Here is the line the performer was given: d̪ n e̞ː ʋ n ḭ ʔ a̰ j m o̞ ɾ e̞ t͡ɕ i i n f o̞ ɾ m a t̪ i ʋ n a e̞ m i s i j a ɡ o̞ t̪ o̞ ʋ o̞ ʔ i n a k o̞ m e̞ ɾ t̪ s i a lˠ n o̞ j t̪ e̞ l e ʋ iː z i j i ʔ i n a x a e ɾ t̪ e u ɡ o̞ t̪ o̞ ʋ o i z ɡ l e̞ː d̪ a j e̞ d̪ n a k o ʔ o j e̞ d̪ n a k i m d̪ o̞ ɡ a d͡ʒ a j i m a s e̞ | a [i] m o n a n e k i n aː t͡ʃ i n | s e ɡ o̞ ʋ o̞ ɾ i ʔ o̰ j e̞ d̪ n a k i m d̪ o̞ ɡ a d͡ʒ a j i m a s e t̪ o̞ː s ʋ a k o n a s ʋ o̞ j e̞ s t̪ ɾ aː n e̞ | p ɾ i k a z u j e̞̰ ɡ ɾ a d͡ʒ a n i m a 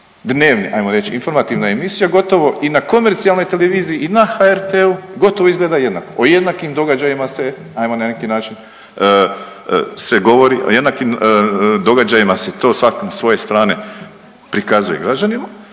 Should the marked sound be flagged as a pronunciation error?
yes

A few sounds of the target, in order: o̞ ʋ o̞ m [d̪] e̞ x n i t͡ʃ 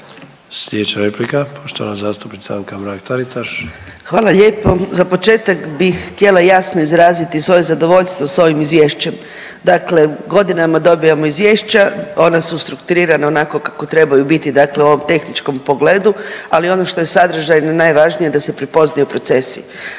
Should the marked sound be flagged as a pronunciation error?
yes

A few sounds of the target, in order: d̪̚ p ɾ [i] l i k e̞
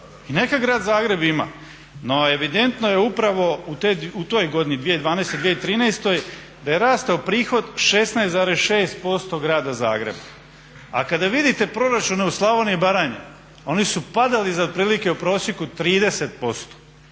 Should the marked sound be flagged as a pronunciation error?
yes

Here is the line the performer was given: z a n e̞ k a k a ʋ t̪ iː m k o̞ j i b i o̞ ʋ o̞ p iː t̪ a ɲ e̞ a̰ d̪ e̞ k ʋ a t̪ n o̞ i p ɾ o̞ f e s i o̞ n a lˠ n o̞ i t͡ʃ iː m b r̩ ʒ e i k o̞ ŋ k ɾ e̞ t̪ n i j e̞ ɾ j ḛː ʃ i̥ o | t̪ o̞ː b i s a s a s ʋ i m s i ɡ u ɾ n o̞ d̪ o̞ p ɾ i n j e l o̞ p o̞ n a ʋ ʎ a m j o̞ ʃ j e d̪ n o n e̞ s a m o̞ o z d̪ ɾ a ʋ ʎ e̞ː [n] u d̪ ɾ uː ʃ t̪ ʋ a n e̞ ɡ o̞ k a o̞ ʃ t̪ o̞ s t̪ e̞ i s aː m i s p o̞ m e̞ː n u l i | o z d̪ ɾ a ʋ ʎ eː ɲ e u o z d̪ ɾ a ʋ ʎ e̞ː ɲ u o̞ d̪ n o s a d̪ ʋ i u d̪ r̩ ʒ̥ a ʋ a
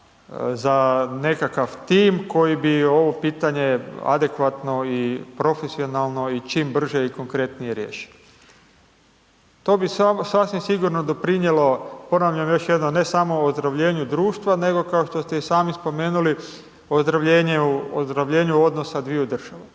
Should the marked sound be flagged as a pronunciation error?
yes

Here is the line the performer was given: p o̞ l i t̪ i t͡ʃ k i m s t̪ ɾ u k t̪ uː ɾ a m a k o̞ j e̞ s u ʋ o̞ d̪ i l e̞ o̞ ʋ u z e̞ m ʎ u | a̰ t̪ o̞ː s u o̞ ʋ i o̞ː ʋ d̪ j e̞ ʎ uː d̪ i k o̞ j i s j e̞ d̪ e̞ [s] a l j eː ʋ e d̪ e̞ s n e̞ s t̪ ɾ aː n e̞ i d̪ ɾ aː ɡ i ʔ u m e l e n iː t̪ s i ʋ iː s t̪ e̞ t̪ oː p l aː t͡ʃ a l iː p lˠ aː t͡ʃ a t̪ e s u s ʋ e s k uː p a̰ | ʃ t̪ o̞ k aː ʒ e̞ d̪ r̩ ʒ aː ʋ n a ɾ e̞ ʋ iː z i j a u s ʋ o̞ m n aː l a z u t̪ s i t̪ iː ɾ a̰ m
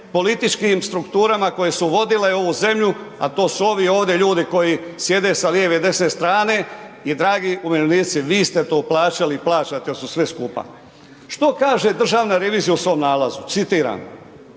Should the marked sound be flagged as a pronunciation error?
no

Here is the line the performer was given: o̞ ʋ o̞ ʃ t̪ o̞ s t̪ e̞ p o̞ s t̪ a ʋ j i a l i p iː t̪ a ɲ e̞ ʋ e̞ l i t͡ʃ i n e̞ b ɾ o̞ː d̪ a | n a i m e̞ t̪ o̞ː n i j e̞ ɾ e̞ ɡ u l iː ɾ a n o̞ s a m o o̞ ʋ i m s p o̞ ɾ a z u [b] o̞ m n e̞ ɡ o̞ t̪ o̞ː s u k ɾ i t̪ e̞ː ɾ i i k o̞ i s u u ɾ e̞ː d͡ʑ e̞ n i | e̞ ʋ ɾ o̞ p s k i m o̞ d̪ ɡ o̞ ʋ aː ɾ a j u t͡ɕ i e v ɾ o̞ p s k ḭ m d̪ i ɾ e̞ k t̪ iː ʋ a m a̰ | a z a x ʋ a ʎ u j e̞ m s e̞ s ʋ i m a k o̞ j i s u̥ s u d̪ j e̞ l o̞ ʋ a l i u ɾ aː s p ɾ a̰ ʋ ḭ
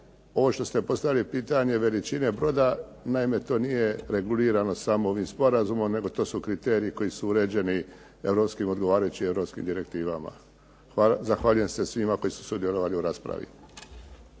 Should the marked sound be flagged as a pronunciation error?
yes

